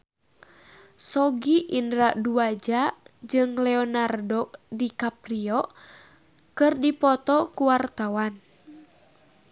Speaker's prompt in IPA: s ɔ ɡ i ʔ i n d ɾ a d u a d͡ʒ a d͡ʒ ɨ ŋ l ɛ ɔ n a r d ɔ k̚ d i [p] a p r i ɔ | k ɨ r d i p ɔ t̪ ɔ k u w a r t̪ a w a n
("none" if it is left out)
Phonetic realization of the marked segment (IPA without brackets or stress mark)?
k